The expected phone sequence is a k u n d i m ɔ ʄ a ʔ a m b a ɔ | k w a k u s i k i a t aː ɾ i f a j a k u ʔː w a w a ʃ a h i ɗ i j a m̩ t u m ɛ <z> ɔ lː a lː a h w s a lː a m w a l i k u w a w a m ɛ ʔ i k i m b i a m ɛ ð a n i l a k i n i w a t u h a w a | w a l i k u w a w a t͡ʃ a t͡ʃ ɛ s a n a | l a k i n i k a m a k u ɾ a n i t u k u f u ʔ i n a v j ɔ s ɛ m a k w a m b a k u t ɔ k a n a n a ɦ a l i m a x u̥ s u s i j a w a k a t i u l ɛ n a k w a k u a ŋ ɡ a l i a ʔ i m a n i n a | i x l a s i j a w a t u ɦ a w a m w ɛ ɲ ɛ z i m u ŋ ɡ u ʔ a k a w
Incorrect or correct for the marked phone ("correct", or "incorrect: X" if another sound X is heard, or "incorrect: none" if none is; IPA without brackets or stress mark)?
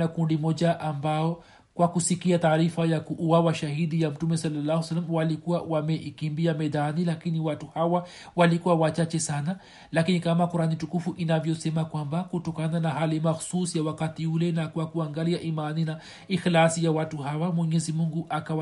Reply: incorrect: s